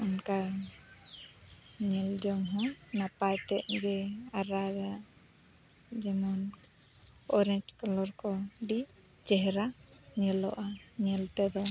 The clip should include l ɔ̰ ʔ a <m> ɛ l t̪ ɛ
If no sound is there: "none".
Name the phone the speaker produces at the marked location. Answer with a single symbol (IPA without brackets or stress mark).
ɲ